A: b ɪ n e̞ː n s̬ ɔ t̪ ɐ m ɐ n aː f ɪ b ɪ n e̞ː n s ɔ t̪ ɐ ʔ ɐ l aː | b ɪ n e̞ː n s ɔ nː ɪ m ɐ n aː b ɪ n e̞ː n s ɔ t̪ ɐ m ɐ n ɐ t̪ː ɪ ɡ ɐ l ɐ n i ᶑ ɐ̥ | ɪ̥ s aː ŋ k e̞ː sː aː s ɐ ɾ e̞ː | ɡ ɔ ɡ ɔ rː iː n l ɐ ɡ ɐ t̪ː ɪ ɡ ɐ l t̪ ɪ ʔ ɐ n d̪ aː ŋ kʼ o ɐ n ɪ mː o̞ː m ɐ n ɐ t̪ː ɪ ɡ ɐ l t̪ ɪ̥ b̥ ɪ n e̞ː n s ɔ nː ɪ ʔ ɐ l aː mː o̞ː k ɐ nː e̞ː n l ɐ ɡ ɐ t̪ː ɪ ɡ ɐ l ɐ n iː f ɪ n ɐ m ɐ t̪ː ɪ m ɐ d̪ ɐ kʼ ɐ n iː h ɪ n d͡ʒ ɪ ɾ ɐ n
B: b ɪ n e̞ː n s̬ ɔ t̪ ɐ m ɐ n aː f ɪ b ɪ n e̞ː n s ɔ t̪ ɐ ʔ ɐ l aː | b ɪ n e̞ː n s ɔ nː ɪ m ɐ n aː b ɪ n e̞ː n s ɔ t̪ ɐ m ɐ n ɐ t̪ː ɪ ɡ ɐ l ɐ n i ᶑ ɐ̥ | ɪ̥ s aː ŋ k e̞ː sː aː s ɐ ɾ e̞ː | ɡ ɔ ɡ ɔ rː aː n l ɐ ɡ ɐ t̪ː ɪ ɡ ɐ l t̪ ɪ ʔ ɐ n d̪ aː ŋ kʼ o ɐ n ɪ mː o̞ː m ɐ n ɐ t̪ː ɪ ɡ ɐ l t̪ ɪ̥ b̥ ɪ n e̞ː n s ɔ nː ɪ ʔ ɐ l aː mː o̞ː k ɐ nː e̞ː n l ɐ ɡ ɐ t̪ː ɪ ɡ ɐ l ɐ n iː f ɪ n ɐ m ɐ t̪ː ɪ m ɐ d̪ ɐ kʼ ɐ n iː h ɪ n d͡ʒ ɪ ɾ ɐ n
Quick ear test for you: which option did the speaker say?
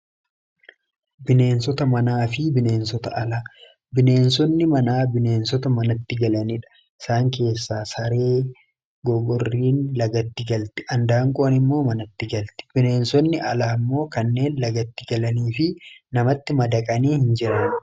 A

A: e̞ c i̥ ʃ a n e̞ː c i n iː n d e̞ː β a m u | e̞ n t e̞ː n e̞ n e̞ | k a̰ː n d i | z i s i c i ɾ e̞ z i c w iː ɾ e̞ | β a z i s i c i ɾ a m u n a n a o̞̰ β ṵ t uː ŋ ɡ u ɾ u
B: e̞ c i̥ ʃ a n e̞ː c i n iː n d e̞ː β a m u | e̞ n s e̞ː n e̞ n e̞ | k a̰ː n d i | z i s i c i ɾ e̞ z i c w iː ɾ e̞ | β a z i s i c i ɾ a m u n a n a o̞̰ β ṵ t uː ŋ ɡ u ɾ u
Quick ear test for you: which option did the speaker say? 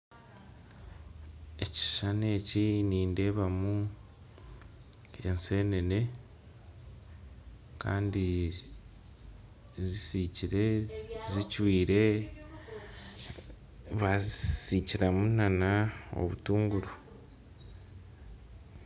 B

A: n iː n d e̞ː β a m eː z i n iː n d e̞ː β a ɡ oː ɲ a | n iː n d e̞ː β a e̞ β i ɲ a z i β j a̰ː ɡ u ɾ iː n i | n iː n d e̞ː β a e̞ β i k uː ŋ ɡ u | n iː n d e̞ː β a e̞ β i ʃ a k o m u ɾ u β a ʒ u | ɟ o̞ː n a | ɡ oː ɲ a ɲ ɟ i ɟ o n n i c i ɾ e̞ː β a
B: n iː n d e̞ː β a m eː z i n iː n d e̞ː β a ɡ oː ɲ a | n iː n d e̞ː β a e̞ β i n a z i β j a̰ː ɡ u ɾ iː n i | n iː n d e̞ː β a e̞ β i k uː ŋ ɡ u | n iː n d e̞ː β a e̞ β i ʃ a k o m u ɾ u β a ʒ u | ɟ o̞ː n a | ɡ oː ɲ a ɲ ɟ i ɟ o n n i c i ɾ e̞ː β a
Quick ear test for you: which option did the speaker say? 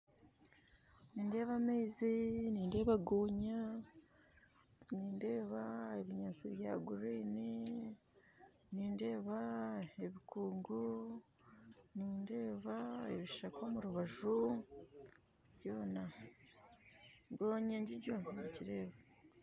A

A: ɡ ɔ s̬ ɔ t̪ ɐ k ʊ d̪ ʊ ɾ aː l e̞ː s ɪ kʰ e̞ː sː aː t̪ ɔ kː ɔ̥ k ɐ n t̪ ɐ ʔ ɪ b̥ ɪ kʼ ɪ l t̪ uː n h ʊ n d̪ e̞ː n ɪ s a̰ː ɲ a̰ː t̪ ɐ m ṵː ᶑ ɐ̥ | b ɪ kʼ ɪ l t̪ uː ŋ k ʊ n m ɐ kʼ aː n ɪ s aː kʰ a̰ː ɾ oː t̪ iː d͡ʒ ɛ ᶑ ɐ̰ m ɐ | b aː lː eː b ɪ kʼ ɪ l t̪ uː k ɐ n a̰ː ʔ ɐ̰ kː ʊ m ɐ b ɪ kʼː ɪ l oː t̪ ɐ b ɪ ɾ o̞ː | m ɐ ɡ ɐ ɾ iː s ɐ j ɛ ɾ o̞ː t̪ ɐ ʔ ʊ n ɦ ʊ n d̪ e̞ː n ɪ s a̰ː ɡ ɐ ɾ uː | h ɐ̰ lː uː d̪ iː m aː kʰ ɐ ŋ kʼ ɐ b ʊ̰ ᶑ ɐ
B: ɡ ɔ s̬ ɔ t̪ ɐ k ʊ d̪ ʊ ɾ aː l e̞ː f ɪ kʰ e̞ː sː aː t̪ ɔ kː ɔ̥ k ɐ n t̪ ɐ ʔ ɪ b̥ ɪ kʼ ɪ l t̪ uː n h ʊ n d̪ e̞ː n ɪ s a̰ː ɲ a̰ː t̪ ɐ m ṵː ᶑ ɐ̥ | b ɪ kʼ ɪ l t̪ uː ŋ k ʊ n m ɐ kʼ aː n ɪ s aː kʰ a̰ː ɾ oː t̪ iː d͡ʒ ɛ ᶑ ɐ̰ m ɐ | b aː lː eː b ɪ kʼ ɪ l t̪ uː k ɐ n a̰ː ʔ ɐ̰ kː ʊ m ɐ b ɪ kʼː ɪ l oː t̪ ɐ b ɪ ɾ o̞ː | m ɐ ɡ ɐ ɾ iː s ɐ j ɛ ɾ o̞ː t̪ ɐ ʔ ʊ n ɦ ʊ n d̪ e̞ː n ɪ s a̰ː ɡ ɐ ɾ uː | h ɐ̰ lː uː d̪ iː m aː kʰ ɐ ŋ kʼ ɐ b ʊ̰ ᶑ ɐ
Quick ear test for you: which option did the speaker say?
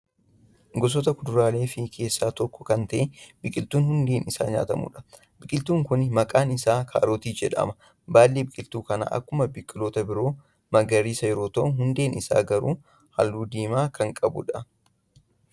B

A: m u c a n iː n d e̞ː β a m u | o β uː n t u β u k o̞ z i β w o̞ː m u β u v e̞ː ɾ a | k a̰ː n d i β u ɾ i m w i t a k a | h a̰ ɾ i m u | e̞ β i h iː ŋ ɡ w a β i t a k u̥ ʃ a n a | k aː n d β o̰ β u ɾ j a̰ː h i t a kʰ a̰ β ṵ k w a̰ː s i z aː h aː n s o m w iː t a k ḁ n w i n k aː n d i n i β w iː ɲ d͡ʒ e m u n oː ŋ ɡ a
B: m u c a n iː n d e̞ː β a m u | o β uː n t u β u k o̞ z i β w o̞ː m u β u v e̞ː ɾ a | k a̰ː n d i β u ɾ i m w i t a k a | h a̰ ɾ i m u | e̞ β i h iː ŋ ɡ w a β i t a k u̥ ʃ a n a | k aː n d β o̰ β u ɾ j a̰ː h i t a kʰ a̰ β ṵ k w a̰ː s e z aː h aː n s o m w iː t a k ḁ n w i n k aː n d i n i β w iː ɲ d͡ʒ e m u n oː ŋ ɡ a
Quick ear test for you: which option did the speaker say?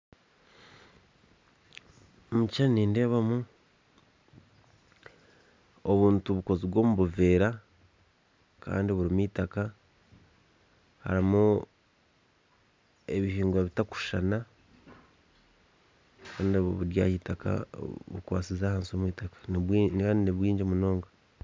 A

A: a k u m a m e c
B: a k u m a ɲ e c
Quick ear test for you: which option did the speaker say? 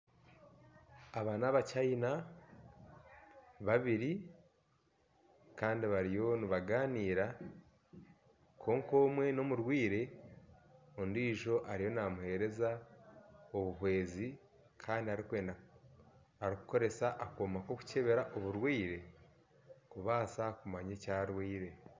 B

